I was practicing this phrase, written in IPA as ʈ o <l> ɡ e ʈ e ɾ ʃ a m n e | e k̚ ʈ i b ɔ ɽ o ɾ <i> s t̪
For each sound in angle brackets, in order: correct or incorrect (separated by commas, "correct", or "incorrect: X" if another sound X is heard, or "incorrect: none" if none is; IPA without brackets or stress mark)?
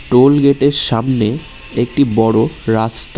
correct, incorrect: a